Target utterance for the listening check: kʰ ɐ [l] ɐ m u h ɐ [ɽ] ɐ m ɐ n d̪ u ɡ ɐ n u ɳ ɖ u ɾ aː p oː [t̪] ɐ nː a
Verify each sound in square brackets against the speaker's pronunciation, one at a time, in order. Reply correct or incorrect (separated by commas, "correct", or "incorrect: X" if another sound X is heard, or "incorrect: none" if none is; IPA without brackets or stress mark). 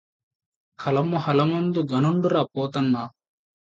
correct, incorrect: l, correct